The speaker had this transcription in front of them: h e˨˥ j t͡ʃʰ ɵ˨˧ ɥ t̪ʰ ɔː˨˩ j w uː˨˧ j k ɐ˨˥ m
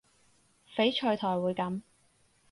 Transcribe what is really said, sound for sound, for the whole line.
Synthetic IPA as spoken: f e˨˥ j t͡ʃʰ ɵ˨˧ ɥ t̪ʰ ɔː˨˩ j w uː˨˧ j k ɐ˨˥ m